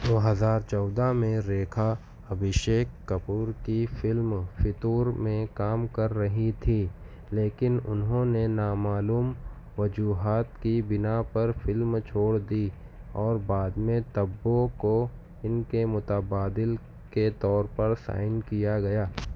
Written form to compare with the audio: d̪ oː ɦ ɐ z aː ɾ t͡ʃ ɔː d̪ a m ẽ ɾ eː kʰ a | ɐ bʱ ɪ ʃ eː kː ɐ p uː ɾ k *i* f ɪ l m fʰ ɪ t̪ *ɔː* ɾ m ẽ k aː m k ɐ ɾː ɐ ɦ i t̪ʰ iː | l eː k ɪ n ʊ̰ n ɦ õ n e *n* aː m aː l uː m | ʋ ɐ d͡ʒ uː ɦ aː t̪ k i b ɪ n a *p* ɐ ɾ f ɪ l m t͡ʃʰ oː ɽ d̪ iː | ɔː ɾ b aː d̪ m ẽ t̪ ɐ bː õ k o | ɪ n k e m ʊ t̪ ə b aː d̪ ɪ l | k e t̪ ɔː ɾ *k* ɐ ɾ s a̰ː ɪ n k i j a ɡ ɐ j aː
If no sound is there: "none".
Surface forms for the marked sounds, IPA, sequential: i, uː, n, p, p

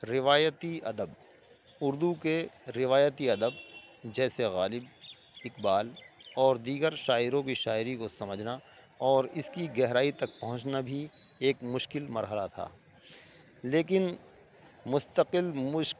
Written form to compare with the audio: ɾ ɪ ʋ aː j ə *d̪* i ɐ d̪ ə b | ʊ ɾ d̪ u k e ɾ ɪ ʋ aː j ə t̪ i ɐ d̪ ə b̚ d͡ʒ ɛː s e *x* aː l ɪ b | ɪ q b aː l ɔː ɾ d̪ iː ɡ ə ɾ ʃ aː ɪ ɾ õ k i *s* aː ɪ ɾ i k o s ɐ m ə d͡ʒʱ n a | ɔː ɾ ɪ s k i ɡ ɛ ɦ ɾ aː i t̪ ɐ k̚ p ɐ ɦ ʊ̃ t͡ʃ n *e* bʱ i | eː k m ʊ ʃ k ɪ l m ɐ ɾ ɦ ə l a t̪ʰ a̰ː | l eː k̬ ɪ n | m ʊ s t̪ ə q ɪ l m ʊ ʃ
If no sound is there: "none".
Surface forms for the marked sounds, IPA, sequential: t̪, ɣ, ʃ, a

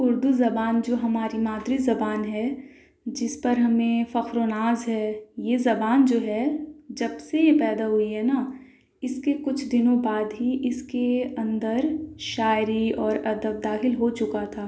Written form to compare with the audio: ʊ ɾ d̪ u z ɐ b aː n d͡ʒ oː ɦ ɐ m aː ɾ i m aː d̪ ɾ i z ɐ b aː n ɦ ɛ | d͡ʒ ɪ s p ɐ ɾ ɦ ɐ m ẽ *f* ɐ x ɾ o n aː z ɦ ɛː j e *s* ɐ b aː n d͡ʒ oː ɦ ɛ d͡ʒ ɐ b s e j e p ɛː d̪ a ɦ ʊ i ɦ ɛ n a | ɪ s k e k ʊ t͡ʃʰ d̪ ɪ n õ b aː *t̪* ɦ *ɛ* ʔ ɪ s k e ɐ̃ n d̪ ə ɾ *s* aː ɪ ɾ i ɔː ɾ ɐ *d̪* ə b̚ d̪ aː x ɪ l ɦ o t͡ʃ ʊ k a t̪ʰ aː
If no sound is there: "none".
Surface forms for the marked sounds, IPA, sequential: f, z, d̪, i, ʃ, d̪

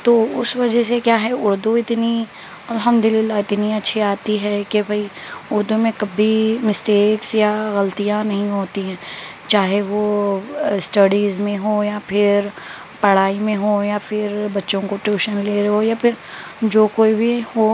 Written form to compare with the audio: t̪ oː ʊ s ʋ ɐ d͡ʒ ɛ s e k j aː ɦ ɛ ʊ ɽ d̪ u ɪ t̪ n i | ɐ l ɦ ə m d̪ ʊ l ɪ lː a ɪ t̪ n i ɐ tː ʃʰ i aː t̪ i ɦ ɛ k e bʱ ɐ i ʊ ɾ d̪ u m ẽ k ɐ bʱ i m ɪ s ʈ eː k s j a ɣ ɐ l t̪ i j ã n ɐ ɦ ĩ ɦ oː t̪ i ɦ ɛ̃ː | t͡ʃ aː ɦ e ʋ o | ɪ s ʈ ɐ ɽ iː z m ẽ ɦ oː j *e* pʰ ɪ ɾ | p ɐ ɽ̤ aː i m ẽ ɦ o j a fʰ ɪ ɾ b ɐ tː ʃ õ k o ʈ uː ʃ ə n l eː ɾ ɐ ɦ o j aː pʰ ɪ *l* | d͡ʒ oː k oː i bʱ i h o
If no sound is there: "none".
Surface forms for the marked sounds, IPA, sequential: a, ɾ

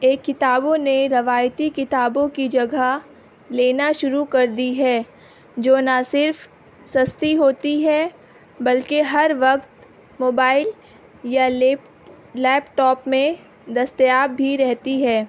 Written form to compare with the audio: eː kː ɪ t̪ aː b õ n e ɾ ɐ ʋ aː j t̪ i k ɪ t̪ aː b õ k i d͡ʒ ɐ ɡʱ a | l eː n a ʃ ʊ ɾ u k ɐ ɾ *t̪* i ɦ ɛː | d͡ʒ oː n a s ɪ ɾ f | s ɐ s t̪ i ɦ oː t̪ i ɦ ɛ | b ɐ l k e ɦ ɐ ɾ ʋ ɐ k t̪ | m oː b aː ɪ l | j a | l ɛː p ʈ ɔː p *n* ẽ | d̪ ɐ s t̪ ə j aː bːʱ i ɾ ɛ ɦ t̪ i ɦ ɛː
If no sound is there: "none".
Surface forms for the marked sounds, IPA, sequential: d̪, m

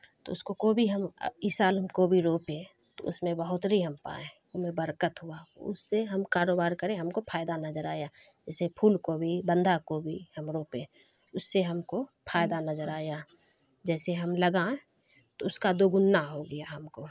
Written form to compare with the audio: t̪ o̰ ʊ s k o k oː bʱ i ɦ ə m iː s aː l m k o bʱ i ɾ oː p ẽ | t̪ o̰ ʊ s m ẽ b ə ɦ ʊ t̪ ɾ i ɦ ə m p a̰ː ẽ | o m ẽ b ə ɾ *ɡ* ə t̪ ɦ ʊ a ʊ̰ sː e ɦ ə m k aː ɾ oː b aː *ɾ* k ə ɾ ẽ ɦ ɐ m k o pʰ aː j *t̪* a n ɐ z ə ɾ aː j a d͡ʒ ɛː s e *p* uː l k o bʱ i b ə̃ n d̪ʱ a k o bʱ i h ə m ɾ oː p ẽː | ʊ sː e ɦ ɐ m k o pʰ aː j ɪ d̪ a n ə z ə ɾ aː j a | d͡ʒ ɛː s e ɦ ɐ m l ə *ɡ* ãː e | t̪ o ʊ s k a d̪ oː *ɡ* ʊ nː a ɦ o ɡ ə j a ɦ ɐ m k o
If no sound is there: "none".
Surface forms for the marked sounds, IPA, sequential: k, ɾ, d̪, pʰ, ɡ, ɡ

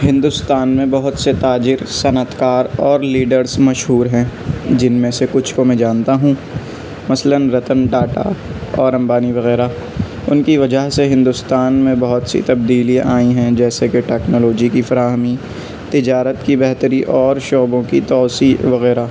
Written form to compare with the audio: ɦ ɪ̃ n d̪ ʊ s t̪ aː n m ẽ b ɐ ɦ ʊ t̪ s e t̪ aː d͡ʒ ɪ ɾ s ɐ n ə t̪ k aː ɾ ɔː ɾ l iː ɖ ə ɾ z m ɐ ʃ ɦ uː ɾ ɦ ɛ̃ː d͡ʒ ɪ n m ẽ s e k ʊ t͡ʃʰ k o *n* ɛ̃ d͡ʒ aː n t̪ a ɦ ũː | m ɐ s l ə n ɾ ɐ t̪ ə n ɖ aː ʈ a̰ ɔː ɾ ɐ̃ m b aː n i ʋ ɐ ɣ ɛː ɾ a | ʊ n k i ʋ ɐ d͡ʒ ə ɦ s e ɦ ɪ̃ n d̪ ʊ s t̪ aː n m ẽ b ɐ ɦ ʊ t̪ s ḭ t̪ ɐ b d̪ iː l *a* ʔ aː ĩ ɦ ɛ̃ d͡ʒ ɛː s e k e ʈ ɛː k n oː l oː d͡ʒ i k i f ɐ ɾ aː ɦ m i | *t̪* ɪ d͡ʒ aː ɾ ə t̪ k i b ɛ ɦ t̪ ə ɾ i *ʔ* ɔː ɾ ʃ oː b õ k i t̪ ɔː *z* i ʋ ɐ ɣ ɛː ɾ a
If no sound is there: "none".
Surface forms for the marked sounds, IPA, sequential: m, i, t̪, ʔ, s

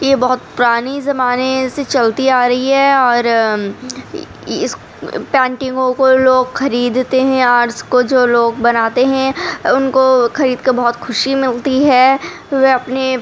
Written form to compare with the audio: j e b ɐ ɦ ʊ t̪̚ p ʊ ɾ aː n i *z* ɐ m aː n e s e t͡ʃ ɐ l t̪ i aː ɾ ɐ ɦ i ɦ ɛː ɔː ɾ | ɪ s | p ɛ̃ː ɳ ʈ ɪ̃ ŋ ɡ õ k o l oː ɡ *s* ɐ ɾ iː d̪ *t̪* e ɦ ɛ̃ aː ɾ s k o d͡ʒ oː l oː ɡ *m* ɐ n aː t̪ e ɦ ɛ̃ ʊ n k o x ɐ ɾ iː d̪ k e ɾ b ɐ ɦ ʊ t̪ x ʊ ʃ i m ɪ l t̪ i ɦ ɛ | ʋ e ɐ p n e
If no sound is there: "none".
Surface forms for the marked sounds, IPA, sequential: z, x, t̪, b

